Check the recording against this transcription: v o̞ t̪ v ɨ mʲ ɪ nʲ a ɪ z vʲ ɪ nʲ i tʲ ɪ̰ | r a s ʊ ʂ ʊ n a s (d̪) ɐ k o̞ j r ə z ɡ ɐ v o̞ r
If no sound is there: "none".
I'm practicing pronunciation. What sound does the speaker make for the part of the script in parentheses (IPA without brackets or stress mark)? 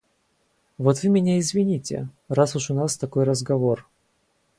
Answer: t̪